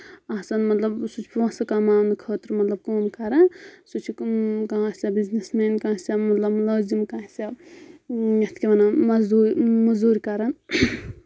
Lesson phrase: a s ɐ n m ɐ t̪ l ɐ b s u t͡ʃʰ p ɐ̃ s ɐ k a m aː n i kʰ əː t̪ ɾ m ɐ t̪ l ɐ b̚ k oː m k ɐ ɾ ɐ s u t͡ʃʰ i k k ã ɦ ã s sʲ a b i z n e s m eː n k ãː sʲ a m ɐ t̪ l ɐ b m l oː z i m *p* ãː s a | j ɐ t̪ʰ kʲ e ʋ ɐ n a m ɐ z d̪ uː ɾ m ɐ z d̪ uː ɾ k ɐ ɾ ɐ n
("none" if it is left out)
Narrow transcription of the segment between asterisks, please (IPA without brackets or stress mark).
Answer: k